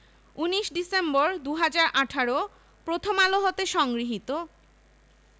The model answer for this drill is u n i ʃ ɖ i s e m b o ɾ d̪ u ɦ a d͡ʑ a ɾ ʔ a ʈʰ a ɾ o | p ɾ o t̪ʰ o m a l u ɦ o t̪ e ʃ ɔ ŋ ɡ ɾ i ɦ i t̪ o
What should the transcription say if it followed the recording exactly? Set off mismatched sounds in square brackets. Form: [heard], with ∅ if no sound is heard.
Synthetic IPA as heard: u n i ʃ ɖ i s e m b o ɾ d̪ u ɦ a d͡ʑ a ɾ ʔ a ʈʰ a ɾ o | p ɾ o t̪ʰ o m a l [o] ɦ o t̪ e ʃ ɔ ŋ ɡ ɾ i ɦ i t̪ o